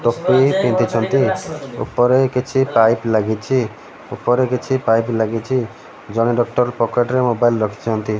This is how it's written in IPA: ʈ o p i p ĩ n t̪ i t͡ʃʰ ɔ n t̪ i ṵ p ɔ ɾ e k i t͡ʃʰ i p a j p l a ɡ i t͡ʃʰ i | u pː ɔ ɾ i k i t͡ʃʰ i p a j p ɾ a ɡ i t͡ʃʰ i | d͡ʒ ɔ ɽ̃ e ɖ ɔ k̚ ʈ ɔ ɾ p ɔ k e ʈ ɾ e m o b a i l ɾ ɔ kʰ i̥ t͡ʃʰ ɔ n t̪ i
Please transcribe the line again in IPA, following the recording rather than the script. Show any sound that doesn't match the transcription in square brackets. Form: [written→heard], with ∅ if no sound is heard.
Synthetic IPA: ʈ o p i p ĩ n t̪ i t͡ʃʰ ɔ n t̪ i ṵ p ɔ ɾ e k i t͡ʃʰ i p a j p l a ɡ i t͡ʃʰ i | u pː ɔ ɾ [i→e] k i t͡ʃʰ i p a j p [ɾ→l] a ɡ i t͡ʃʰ i | d͡ʒ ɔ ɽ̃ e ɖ ɔ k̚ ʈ ɔ ɾ p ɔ k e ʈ ɾ e m o b a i l ɾ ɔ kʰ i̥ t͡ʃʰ ɔ n t̪ i